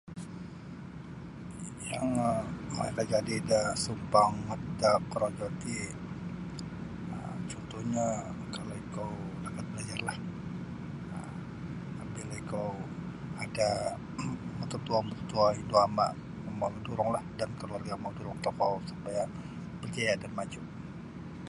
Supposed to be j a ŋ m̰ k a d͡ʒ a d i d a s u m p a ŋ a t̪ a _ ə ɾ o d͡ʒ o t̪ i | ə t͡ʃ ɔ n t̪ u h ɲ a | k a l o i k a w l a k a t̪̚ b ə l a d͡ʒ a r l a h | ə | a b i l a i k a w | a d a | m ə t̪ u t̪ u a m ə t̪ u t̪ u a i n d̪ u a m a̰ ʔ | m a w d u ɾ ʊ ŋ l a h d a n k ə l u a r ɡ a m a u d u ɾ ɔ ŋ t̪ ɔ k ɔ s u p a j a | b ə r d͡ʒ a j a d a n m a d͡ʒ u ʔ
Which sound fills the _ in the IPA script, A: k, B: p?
A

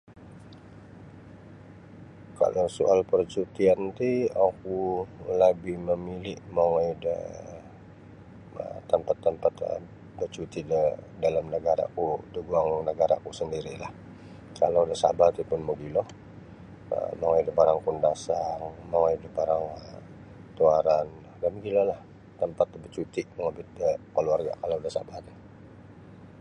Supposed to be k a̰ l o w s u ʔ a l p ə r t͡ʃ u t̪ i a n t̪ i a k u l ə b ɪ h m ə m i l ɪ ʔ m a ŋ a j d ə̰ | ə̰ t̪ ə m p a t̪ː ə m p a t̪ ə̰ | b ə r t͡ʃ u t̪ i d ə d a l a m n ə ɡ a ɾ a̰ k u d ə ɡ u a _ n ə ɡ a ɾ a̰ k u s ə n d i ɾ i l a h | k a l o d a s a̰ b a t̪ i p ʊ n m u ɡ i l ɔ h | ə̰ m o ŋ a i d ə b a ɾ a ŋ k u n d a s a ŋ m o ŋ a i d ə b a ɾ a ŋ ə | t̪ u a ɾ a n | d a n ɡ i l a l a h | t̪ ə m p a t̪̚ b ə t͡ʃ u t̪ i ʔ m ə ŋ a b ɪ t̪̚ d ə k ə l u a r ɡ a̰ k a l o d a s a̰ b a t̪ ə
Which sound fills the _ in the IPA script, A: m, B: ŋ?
B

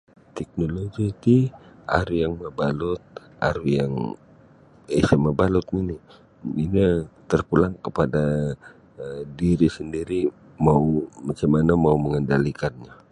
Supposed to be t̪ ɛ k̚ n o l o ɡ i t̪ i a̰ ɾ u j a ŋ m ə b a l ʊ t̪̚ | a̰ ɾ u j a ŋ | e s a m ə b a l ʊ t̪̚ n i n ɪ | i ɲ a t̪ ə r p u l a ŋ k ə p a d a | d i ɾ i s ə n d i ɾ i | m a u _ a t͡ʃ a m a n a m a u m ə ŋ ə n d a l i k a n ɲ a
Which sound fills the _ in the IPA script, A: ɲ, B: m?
B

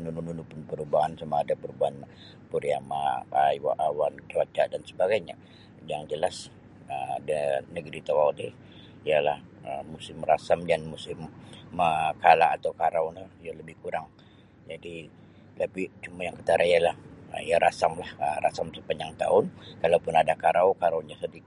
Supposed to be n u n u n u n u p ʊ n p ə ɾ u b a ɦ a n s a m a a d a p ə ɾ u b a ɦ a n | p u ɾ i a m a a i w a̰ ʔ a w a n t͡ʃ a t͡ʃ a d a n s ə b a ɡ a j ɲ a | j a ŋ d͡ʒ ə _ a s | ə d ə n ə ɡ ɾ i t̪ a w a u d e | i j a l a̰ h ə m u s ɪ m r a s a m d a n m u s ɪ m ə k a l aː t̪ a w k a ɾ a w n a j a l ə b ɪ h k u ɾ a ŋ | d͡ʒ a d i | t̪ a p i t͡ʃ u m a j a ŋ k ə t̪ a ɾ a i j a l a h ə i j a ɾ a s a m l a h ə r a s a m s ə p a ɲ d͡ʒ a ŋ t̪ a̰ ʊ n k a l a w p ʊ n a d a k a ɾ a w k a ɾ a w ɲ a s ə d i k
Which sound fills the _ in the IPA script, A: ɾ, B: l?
B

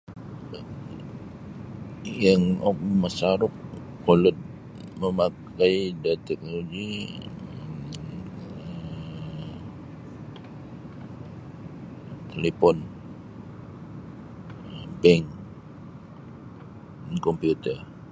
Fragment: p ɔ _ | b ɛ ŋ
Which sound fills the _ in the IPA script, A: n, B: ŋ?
A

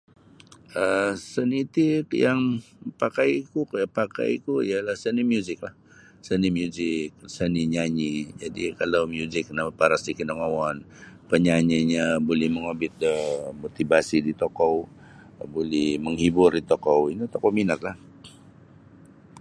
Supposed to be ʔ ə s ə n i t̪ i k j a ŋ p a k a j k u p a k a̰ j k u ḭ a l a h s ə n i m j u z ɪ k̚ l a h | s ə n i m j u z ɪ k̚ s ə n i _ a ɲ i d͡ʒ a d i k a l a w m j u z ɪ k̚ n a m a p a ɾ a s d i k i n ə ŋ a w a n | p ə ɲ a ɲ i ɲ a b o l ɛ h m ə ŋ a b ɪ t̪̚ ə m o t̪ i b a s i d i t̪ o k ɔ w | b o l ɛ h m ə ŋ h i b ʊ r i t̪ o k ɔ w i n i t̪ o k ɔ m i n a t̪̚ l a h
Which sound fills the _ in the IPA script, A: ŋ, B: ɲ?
B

